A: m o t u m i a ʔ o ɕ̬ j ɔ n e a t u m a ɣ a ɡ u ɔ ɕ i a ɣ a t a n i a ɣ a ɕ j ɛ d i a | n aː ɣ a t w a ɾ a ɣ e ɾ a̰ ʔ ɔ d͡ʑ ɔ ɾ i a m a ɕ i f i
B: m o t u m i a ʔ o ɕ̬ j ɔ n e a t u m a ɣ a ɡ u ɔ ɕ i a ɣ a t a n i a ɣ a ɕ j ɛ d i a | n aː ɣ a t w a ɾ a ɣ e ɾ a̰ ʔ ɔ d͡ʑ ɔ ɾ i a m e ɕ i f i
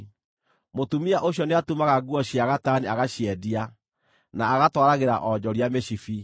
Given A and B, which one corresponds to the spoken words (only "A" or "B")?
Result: B